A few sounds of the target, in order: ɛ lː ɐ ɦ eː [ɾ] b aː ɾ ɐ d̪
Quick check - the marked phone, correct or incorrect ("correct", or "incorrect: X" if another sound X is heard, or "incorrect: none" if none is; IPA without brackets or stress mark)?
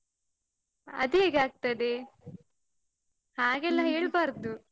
incorrect: ɭ